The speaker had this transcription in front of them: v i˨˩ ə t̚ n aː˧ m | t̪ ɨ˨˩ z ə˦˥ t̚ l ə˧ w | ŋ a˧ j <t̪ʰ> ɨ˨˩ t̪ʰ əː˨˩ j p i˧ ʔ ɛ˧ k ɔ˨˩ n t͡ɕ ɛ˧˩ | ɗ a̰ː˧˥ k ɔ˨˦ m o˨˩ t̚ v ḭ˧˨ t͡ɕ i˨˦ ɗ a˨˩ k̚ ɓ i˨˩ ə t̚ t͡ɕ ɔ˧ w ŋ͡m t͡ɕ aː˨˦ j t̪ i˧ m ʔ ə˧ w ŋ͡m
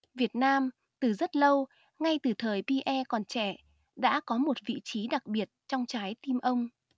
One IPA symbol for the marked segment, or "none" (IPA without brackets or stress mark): t̪